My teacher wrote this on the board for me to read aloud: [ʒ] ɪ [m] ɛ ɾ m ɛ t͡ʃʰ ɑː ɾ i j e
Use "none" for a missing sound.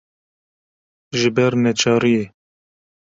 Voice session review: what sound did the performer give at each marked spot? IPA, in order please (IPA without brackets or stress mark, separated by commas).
ʒ, b